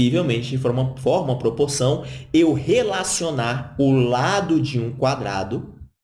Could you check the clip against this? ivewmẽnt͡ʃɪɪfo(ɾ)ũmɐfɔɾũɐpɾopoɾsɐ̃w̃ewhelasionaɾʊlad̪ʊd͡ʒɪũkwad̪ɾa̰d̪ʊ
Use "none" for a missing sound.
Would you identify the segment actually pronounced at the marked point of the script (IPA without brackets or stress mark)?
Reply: ɾ